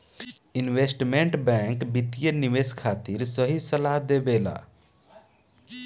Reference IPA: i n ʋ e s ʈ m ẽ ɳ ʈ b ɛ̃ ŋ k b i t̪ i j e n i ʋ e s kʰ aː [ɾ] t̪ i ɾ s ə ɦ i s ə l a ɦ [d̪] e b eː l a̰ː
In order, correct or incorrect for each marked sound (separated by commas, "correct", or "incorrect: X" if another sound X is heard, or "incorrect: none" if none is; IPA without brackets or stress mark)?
incorrect: none, correct